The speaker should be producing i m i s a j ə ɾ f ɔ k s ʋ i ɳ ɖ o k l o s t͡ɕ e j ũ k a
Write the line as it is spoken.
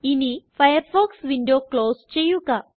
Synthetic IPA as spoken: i n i f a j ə ɾ f ɔ k s ʋ i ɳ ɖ o k l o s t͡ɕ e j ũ k a

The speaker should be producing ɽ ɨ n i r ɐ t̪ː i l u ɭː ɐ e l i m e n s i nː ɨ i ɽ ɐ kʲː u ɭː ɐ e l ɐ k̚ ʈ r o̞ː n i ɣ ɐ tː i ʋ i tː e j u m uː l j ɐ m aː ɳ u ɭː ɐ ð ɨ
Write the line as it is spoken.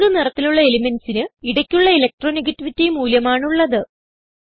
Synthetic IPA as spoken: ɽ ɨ n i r ɐ t̪ː i l u ɭː ɐ e l i m e n s i n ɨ i ɽ ɐ kʲː u ɭː ɐ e l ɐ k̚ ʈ r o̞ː n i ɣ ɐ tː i ʋ i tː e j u m uː l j ɐ m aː ɳ u ɭː ɐ ð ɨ

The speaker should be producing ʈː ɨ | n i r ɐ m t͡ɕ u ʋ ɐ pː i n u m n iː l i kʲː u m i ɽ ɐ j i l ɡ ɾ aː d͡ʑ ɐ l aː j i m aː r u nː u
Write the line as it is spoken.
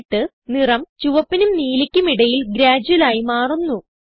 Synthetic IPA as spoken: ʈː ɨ | n i r ɐ m t͡ɕ u ʋ ɐ pː i n u m n iː l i kʲː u m i ɽ ɐ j i l ɡ ɾ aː d͡ʑ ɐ l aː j i m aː r u nː u

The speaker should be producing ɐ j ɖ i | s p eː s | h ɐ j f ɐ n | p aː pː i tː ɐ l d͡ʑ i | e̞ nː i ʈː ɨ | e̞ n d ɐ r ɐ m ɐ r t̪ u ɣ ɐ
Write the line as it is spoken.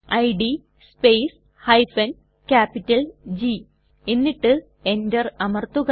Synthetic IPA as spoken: ɐ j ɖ i | s p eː s | h ɐ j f ɐ n | k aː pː i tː ɐ l d͡ʑ i | e̞ nː i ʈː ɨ | e̞ n d ɐ r ɐ m ɐ r t̪ u ɣ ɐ

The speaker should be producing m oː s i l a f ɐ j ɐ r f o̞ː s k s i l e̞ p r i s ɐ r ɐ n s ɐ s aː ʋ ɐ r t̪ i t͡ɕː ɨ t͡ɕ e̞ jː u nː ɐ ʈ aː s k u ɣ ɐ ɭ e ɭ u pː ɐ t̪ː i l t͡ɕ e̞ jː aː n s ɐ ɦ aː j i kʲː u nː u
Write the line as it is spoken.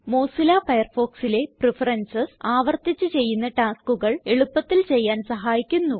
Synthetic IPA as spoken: m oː s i l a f ɐ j ɐ r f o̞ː k s i l e̞ p r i f ɐ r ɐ n s ɐ s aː ʋ ɐ r t̪ i t͡ɕː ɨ t͡ɕ e̞ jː u nː ɐ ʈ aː s k u ɣ ɐ ɭ e ɭ u pː ɐ t̪ː i l t͡ɕ e̞ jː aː n s ɐ ɦ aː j i kʲː u nː u

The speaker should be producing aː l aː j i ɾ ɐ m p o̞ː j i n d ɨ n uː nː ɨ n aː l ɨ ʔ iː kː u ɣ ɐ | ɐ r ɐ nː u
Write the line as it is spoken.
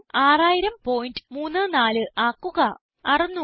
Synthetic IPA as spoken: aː r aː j i ɾ ɐ m p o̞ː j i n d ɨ m uː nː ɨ n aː l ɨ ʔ aː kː u ɣ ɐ | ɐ r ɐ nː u

